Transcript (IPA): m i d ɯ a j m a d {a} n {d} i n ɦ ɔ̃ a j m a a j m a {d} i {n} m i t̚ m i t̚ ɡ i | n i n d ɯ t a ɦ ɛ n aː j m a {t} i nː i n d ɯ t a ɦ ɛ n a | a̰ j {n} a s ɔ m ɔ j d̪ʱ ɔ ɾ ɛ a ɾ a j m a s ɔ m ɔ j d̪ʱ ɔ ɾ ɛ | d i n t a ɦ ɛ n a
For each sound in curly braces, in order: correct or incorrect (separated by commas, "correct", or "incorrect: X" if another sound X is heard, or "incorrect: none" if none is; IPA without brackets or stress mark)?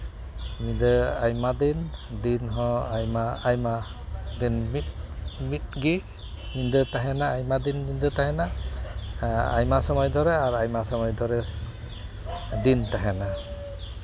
incorrect: i, correct, correct, correct, incorrect: d, incorrect: m